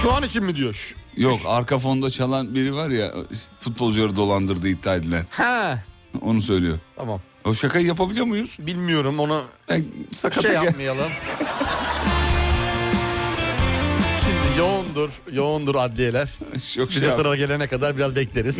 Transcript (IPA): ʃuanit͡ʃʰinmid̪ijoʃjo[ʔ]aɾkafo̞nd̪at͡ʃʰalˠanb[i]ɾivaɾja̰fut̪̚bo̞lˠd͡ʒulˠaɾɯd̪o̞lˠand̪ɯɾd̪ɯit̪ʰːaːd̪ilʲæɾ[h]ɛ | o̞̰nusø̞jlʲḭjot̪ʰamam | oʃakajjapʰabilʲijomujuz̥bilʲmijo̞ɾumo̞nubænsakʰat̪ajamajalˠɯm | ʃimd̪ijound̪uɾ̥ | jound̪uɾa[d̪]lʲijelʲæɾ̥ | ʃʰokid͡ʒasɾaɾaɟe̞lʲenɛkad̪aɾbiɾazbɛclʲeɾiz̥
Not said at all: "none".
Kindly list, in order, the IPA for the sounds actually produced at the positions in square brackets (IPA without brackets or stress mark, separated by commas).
k, i, h, d̪